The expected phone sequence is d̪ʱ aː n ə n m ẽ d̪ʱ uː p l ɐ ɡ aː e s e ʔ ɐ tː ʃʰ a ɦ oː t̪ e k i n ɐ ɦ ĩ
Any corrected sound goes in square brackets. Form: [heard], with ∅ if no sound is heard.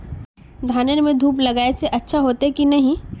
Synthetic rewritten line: d̪ʱ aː n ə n m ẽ d̪ʱ uː p l ɐ ɡ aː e s e ʔ ɐ tː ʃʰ a ɦ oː t̪ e k i n ɐ ɦ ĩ